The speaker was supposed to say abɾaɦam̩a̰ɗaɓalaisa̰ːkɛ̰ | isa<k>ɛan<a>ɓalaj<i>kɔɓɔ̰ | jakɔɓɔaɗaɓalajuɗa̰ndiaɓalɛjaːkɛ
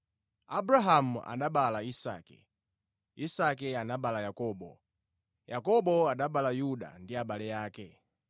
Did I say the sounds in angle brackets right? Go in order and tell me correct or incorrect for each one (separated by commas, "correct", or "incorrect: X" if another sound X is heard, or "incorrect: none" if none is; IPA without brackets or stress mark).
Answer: correct, correct, incorrect: a